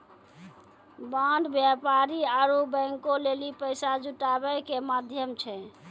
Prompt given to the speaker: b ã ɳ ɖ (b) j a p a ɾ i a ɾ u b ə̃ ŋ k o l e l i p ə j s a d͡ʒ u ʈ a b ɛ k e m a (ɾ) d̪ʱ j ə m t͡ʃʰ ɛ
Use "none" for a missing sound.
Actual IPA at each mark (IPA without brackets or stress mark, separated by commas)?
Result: b, none